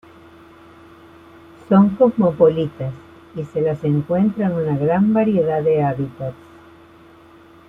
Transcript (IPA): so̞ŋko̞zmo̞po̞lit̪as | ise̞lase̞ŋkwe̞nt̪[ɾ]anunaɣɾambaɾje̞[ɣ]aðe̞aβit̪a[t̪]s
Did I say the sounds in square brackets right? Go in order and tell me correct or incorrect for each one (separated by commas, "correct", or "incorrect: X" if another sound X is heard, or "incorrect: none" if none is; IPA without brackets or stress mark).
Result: correct, incorrect: ð, correct